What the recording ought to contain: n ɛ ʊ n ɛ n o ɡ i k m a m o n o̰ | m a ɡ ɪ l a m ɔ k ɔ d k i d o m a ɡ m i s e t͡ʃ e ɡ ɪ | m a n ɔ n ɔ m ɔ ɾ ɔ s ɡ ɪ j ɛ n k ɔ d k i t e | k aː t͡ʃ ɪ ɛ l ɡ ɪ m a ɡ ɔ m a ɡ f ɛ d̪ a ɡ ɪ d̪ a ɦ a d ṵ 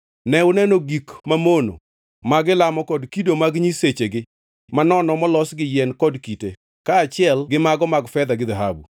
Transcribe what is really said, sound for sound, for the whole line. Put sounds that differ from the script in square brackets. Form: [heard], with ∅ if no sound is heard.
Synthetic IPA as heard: n ɛ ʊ n ɛ n o ɡ i k m a m o n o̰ | m a ɡ ɪ l a m ɔ k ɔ d k i d o m a ɡ [ɲ] i s e t͡ʃ e ɡ ɪ | m a n ɔ n ɔ m ɔ [l] ɔ s ɡ ɪ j ɛ n k ɔ d k i t e | k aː t͡ʃ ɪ ɛ l ɡ ɪ m a ɡ ɔ m a ɡ f ɛ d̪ a ɡ ɪ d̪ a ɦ a [b] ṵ